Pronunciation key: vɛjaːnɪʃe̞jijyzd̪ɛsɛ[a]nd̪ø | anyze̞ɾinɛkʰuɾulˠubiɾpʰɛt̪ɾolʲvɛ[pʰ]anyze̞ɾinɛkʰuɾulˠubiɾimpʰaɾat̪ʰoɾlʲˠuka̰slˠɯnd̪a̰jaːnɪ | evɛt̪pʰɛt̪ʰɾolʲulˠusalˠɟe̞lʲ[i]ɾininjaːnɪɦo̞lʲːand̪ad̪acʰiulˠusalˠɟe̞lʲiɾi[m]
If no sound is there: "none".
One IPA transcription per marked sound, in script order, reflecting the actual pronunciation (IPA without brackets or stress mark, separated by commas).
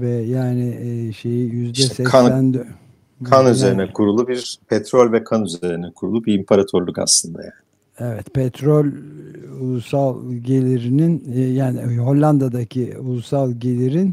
æ, kʰ, i, n